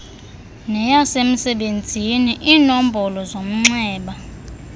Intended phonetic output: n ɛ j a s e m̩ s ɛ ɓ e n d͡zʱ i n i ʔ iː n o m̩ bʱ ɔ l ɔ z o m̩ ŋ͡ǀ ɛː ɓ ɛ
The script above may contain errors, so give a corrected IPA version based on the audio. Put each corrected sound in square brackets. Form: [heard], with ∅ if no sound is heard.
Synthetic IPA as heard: n ɛ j a s e m̩ s ɛ ɓ e n d͡zʱ i n i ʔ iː n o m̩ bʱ ɔ l ɔ z o m̩ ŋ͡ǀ ɛː ɓ [a]